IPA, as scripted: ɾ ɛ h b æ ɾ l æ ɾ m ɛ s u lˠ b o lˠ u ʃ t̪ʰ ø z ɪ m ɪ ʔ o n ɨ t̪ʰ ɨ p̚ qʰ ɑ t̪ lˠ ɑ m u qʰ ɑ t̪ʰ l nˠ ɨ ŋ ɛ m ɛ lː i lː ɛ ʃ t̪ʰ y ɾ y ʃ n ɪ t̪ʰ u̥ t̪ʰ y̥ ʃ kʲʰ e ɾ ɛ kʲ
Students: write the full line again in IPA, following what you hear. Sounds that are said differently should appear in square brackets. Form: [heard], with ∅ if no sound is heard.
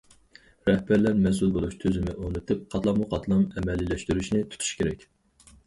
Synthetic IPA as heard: ɾ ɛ h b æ ɾ l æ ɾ m ɛ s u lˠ b o lˠ u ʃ t̪ʰ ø z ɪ m ɪ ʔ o n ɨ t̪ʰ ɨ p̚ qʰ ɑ t̪ lˠ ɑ m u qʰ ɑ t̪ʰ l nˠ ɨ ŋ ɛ m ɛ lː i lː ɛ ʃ [t̪] y ɾ y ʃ n ɪ t̪ʰ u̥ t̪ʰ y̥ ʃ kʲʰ e ɾ ɛ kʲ